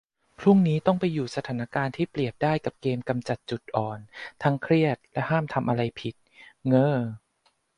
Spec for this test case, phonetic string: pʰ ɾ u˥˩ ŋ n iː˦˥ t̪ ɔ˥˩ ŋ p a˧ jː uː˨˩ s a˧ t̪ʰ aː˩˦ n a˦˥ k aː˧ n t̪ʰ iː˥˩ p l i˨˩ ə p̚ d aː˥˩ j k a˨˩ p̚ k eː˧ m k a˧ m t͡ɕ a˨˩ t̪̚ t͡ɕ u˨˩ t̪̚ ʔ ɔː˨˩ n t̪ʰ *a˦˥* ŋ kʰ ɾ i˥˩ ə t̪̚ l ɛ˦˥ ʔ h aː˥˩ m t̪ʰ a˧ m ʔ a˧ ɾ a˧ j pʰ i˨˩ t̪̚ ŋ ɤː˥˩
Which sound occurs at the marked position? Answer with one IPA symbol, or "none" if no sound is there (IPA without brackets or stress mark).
a˦˥